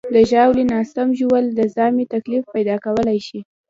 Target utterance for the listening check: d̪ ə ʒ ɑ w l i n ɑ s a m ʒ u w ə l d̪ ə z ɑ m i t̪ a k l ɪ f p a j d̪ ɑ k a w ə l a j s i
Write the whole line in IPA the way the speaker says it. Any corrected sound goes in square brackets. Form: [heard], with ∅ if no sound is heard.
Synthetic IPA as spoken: d̪ ə ʒ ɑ w l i n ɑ s a m ʒ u w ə l d̪ ə z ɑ m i t̪ a k l [i] f p a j d̪ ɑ k a w ə l a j [ʃ] i